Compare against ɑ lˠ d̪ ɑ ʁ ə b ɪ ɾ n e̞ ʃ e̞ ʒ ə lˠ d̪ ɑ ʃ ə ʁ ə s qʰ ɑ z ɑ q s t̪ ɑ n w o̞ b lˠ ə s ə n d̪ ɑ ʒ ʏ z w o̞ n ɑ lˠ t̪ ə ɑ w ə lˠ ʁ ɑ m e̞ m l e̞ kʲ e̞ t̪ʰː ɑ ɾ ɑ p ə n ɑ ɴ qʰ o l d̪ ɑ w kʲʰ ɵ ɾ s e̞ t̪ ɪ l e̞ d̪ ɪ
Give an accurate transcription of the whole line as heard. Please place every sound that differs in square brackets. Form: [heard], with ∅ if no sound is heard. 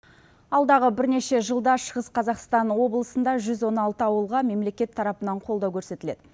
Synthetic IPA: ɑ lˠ d̪ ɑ ʁ ə b ɪ ɾ n e̞ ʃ e̞ ʒ ə lˠ d̪ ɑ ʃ ə ʁ ə s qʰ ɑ z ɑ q s t̪ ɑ n w o̞ b lˠ ə s ə n d̪ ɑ ʒ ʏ z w o̞ n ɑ lˠ t̪ ə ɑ w ə lˠ ʁ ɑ m e̞ m l e̞ kʲ e̞ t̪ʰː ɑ ɾ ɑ p ə n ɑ ɴ qʰ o l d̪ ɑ w kʲʰ ɵ ɾ s e̞ t̪ ɪ l e̞ d̪ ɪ